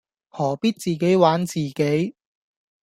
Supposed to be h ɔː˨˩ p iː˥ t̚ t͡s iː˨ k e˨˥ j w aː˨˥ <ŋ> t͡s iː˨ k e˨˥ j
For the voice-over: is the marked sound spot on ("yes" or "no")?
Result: no